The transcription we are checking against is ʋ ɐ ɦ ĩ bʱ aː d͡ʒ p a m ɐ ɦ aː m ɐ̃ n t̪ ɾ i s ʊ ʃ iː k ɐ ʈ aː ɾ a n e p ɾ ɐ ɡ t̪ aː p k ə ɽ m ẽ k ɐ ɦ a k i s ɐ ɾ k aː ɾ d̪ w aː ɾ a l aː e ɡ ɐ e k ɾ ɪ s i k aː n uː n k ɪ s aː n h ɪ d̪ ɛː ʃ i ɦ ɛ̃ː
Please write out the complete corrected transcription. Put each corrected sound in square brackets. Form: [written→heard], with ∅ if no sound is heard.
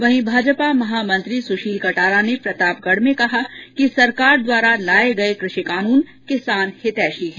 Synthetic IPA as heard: ʋ ɐ ɦ ĩ bʱ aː d͡ʒ p a m ɐ ɦ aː m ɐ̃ n t̪ ɾ i s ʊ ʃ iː k ɐ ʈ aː ɾ a n e p ɾ ɐ [ɡ→∅] t̪ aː p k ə ɽ m ẽ k ɐ ɦ a k i s ɐ ɾ k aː ɾ d̪ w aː ɾ a l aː e ɡ ɐ e k ɾ ɪ [s→ʃ] i k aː n uː n k ɪ s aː n h ɪ [d̪→t̪] ɛː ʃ i ɦ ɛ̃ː